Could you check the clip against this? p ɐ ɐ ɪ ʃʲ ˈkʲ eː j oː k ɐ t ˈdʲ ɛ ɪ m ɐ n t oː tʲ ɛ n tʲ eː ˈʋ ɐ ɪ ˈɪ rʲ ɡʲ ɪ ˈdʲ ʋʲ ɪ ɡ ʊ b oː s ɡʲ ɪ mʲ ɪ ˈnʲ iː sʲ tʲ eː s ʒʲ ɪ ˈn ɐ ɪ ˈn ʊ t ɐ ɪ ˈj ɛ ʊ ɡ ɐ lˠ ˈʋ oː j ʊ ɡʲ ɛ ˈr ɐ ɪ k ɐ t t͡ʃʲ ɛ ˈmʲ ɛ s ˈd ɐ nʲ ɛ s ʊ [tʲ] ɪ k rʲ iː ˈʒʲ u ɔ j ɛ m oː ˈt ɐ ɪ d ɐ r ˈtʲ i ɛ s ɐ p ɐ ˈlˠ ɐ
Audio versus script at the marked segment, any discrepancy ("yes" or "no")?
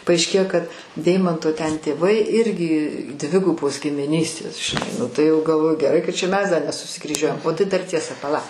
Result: yes